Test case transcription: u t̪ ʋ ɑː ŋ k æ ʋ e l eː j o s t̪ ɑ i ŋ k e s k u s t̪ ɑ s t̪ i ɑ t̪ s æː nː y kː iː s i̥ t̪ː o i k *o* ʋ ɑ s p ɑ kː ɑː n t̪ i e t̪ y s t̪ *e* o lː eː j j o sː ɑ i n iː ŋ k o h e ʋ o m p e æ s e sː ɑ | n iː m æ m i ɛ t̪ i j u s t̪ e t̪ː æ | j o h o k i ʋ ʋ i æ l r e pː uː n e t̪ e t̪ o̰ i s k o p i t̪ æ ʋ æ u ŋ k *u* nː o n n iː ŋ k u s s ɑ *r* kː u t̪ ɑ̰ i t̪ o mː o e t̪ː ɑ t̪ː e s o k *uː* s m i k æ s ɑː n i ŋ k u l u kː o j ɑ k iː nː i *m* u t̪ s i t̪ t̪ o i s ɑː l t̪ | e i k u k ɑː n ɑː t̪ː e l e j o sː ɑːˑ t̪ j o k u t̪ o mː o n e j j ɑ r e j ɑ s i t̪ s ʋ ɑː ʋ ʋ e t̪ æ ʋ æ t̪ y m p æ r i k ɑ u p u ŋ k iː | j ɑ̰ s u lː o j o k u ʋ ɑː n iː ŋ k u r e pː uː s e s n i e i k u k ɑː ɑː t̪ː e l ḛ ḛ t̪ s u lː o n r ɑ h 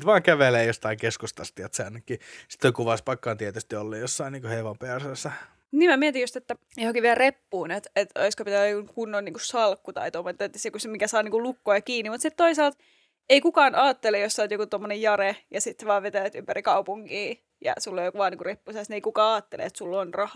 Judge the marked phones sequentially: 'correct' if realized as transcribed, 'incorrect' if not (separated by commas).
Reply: incorrect, incorrect, correct, incorrect, incorrect, correct